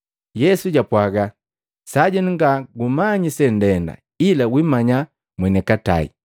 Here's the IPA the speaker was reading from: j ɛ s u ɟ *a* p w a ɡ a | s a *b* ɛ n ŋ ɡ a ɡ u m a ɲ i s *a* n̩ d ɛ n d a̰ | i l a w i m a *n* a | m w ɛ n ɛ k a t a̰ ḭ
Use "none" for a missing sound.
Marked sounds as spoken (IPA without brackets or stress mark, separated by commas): a, ɟ, ɛ, ɲ